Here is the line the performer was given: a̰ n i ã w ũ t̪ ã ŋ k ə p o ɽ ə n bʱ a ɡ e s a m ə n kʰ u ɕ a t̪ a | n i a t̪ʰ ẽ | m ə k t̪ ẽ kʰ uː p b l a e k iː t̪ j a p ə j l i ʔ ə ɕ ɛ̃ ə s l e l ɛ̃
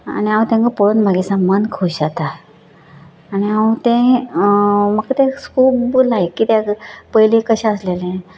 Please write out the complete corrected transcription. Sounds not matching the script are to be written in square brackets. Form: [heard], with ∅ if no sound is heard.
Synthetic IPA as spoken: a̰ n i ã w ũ t̪ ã ŋ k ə p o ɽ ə n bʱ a ɡ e s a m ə n kʰ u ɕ a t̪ a | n i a [t̪] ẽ | m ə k t̪ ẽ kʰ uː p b l a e k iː t̪ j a p ə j l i [k] ə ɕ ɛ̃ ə s l e l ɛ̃